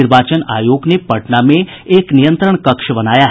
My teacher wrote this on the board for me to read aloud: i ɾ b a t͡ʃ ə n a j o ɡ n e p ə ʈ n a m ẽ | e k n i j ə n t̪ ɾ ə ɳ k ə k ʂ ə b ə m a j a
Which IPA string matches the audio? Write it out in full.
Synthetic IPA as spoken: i ɾ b a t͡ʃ ə n a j o ɡ n e p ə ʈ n a m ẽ | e k n i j ə n t̪ ɾ ə ɳ k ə k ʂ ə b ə n a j a